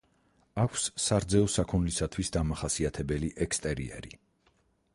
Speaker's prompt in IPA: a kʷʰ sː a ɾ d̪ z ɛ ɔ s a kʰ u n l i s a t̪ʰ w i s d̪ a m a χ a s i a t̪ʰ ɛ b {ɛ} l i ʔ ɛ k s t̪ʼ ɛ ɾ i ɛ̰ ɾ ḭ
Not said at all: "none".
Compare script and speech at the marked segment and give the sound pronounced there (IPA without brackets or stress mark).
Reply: ɛ